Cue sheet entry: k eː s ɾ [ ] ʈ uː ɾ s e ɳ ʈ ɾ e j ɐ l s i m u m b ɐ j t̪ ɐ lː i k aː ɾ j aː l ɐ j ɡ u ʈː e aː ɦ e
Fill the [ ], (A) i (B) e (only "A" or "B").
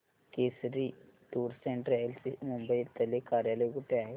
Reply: A